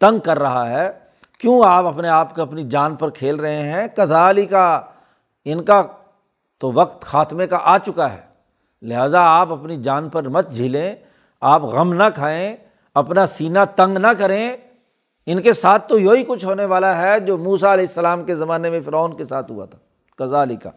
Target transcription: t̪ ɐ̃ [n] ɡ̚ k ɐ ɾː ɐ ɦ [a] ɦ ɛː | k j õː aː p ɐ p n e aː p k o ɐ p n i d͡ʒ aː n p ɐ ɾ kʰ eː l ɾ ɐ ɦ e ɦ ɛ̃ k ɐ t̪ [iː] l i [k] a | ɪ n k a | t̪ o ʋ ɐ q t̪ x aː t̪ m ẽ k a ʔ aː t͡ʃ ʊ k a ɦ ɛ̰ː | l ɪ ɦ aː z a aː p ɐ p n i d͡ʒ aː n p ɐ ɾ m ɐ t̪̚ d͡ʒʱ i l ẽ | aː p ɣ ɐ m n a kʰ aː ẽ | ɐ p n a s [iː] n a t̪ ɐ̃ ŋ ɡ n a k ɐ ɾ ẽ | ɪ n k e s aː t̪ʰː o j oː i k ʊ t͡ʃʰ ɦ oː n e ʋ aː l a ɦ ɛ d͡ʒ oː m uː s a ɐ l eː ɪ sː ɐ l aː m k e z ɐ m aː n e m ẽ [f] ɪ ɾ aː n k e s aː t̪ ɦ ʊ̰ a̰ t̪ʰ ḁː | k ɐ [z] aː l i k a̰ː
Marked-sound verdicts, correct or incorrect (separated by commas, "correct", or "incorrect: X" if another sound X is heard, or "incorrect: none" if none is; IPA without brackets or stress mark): incorrect: ŋ, correct, incorrect: aː, correct, correct, correct, correct